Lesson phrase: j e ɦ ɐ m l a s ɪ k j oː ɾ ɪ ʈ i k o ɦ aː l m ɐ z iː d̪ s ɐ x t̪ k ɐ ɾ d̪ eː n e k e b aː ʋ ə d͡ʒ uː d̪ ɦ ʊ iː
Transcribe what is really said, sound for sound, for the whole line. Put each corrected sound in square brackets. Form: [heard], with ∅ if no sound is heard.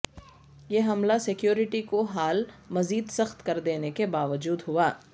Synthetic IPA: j e ɦ ɐ m l a s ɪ k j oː ɾ ɪ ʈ i k o ɦ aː l m ɐ z iː d̪ s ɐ x t̪ k ɐ ɾ d̪ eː n e k e b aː ʋ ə d͡ʒ uː d̪ ɦ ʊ [aː]